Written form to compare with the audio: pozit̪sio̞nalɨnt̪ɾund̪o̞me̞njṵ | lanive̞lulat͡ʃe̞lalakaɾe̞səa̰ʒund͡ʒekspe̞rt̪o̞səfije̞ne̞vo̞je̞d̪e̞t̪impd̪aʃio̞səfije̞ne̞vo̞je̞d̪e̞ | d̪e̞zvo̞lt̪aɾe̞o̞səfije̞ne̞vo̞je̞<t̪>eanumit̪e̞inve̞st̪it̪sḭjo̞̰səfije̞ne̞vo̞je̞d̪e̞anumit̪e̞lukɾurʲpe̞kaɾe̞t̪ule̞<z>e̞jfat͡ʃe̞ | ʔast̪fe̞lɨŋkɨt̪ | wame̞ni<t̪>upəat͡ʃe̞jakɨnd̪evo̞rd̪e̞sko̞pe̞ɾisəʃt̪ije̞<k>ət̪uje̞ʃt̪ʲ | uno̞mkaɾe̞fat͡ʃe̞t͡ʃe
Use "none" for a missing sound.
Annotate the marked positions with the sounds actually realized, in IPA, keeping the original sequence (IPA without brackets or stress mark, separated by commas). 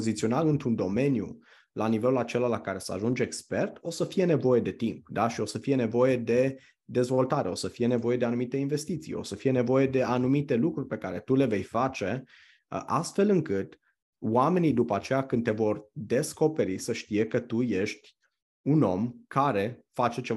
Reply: d̪, v, d̪, k